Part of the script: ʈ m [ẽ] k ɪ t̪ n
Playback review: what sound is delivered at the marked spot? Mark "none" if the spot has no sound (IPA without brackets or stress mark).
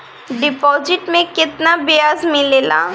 ẽ